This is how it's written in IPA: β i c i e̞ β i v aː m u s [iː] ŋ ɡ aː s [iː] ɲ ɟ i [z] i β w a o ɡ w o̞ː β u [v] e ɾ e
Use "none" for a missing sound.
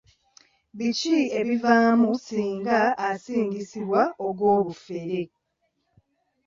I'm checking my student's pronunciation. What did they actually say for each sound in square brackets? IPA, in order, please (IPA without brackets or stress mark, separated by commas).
iː, iː, s, f